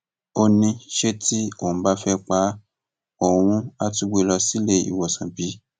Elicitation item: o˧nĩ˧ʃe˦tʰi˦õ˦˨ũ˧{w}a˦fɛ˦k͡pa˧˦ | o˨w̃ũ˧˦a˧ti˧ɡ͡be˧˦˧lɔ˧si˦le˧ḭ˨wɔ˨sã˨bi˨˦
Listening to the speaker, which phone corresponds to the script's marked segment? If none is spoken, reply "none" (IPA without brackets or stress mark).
b